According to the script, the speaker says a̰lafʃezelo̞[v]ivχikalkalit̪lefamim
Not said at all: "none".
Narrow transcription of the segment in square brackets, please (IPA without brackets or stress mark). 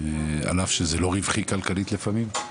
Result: ʁ